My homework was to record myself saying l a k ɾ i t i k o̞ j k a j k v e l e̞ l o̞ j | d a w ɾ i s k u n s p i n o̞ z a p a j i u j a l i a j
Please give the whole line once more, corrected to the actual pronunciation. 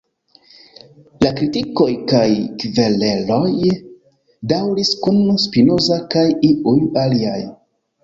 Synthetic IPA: l a k ɾ i t i k o̞ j k a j k v e l e̞ l o̞ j | d a w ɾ i s k u n s p i n o̞ z a k a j i u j a l i a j